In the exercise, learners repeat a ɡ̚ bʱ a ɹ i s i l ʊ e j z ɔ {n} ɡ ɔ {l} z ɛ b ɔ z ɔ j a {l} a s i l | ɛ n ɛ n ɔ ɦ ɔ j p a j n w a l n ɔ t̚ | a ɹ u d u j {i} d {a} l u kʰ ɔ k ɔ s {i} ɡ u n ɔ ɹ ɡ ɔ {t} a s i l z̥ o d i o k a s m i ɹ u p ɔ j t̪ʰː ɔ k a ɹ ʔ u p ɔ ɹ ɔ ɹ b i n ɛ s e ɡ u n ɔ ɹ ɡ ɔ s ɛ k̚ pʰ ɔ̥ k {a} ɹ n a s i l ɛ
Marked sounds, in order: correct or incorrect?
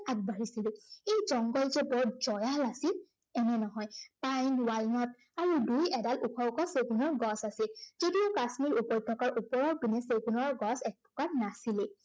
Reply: incorrect: ŋ, correct, correct, incorrect: ɛ, correct, incorrect: e, incorrect: s, correct

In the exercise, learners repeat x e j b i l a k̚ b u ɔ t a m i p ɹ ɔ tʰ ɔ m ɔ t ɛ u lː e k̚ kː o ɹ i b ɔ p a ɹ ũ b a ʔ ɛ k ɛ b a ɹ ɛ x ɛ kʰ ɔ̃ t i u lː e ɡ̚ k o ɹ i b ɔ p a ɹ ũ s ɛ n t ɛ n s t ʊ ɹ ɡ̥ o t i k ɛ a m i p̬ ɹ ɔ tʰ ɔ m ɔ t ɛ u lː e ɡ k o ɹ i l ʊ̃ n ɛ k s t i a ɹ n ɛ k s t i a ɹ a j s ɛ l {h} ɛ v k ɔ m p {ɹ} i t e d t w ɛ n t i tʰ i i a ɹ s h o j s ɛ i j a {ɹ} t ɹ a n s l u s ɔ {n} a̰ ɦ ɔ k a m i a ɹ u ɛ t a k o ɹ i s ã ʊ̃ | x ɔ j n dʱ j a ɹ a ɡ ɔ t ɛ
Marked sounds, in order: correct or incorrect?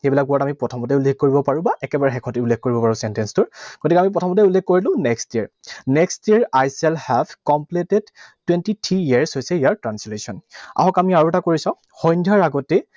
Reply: correct, incorrect: l, correct, correct

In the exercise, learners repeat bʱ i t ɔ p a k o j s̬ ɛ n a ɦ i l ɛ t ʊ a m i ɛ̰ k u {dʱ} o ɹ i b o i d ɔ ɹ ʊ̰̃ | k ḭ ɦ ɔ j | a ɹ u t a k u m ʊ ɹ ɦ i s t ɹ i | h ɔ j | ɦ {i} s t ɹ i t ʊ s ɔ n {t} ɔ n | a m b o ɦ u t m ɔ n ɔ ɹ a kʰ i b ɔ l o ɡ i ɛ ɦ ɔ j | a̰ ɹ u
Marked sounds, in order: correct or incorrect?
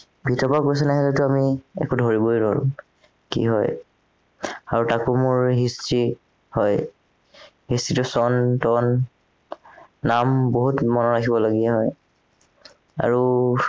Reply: correct, correct, correct

